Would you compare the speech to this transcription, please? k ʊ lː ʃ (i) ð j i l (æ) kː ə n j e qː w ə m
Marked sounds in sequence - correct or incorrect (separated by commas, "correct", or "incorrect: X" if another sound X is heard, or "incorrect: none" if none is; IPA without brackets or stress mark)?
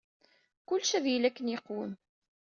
incorrect: æ, correct